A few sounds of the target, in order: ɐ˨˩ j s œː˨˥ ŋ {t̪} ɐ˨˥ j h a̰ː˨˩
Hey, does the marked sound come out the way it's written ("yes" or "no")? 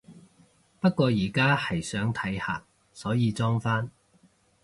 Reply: no